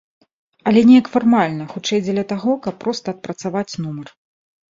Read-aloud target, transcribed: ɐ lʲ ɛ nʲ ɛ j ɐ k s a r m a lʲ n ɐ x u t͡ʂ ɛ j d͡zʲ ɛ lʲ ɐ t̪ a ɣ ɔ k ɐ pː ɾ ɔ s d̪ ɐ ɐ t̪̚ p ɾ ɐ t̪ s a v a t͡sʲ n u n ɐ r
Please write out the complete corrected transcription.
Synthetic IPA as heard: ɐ lʲ ɛ nʲ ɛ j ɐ k f a r m a lʲ n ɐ x u t͡ʂ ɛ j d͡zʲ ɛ lʲ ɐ t̪ a ɣ ɔ k ɐ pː ɾ ɔ s t̪ ɐ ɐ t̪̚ p ɾ ɐ t̪ s a v a t͡sʲ n u m ɐ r